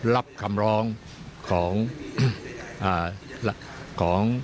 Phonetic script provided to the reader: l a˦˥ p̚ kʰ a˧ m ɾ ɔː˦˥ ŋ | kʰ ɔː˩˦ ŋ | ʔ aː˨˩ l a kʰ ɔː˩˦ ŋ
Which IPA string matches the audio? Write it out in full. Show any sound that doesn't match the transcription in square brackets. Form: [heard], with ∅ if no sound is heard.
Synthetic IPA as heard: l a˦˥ p̚ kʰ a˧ m ɾ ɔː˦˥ ŋ | kʰ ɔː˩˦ ŋ | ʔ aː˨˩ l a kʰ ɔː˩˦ ŋ

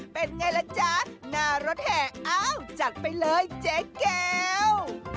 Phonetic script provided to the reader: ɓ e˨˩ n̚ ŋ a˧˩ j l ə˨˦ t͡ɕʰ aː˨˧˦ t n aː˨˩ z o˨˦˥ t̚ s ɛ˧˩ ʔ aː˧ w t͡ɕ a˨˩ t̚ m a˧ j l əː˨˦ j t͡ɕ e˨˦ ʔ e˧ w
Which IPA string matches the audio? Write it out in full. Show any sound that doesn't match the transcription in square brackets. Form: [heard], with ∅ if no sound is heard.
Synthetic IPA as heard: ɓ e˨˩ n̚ ŋ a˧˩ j l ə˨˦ [t͡ɕ] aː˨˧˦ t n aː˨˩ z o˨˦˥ t̚ [h] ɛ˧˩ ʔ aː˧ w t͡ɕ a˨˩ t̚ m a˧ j l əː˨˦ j t͡ɕ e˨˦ [k] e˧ w

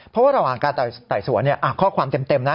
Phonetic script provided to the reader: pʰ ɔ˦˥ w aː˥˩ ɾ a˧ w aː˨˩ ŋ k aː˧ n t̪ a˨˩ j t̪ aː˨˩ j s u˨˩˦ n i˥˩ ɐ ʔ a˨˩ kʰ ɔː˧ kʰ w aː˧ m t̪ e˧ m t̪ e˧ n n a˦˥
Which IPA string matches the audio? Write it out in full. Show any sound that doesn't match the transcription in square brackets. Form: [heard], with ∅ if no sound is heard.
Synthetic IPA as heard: pʰ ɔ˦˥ w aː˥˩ ɾ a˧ w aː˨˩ ŋ k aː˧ n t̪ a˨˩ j t̪ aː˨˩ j s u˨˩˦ n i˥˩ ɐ ʔ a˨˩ kʰ [ɔː˥˩] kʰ w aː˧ m t̪ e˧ m t̪ e˧ [m] n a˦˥

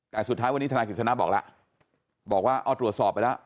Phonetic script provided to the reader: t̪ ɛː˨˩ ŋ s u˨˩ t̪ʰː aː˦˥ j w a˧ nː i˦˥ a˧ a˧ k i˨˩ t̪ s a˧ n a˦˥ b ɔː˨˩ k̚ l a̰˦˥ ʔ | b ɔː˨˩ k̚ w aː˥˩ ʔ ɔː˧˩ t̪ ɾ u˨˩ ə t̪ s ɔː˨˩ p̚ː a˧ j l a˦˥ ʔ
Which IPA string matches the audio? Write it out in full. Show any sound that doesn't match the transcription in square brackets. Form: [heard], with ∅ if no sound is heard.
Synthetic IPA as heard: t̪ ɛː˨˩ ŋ s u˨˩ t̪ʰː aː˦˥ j w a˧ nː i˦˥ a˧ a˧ k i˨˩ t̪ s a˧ n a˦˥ b ɔː˨˩ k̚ l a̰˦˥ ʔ | b ɔː˨˩ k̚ w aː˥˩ ʔ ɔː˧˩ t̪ ɾ u˨˩ ə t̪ s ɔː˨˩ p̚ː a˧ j l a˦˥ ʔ

